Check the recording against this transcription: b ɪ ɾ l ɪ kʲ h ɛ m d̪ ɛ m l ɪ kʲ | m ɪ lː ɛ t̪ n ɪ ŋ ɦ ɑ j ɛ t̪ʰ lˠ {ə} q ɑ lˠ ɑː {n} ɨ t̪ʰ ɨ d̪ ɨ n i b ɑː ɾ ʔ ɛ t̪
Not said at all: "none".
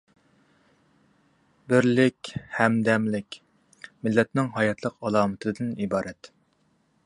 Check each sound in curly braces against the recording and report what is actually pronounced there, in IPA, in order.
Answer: ə, m

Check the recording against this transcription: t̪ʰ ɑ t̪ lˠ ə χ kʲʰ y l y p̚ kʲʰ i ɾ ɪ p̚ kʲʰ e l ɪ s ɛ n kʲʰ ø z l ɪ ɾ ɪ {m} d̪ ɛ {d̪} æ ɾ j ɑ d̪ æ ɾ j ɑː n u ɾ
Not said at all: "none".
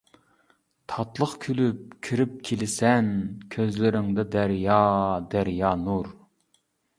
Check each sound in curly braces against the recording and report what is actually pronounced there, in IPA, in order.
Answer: ŋ, d̪

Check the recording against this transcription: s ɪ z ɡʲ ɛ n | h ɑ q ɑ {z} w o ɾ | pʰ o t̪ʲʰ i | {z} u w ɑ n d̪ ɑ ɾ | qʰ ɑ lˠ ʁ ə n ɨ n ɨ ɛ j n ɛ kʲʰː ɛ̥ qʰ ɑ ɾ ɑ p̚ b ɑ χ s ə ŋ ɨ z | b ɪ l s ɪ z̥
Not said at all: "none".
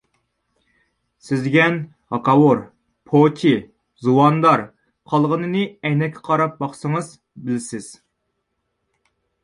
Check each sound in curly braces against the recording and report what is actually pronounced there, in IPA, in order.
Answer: none, z

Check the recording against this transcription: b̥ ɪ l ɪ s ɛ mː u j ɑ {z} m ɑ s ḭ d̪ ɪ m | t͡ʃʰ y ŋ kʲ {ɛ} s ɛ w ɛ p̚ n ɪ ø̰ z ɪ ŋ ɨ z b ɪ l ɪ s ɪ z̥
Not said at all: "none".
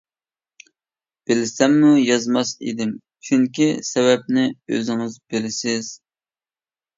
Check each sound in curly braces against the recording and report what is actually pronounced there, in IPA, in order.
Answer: z, i

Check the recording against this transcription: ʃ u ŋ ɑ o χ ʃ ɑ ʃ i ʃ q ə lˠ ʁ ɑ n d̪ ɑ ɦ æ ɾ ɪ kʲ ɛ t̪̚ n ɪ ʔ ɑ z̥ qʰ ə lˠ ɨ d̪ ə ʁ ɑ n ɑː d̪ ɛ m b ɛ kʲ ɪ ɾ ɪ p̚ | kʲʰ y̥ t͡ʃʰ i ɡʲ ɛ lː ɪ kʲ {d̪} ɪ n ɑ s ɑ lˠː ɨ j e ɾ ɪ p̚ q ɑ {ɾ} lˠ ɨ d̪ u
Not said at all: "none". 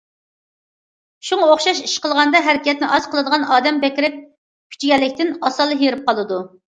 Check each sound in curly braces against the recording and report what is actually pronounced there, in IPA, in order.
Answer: t̪, none

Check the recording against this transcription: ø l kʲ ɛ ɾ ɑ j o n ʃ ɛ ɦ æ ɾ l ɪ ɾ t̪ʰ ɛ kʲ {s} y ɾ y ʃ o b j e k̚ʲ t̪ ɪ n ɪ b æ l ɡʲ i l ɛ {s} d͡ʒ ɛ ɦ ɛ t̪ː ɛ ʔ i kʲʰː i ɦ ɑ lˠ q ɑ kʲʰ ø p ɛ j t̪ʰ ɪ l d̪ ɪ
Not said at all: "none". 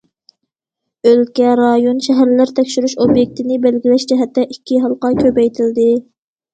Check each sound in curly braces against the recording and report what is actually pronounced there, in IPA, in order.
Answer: ʃ, ʃ

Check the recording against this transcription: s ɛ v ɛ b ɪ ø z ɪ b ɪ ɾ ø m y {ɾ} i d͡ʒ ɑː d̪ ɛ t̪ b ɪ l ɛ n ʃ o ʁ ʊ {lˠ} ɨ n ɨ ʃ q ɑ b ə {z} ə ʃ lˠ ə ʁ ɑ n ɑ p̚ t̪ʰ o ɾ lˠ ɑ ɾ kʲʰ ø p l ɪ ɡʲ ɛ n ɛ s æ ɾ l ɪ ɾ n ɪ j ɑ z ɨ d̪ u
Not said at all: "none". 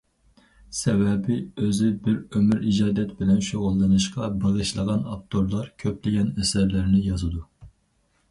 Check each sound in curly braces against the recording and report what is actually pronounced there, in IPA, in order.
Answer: ɾ, lˠː, ʁ

